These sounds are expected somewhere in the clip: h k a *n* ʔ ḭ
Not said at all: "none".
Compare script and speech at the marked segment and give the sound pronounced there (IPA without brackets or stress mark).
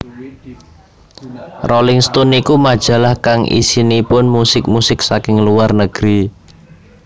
ŋ